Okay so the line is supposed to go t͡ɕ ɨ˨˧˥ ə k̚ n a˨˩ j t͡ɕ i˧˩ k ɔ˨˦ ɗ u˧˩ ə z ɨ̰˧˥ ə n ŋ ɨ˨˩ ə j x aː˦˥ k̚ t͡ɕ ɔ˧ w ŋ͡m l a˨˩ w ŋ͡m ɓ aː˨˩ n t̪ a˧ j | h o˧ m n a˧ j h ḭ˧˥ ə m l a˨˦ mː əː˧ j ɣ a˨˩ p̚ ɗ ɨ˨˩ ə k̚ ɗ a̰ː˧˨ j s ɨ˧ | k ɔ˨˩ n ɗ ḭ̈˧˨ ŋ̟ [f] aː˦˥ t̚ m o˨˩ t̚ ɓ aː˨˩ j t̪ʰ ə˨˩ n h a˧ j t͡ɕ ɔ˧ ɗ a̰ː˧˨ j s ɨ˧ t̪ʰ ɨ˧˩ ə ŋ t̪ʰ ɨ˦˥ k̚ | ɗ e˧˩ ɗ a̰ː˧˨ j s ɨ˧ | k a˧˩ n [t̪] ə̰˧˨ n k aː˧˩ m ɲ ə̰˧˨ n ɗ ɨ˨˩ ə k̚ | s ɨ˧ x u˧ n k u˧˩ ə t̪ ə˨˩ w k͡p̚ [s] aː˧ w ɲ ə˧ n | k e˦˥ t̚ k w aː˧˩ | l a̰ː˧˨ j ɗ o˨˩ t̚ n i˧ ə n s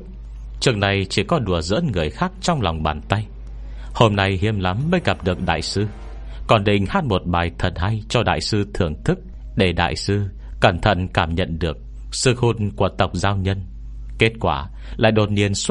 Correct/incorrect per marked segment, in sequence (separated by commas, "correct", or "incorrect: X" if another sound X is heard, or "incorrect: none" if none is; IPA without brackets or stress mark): incorrect: h, incorrect: t̪ʰ, incorrect: z